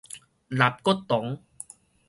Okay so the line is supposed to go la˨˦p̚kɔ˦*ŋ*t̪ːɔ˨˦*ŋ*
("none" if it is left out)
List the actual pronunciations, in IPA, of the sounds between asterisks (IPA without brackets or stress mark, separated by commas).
none, ŋ